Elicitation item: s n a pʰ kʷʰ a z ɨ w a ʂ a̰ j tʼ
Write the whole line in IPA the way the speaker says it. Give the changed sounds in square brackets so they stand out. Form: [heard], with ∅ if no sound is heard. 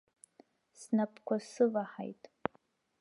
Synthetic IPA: s n a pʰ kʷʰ a [s] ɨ [v] a [ħ] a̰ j tʼ